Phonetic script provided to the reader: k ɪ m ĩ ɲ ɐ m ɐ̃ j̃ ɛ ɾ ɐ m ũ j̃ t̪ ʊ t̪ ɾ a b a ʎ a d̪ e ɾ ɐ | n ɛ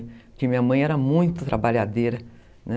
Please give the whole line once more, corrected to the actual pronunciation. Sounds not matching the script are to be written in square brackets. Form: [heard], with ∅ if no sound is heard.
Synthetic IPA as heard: k ɪ m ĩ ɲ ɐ m ɐ̃ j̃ ɛ ɾ ɐ m ũ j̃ t̪ ʊ t̪ ɾ a b a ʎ a d̪ e ɾ ɐ | n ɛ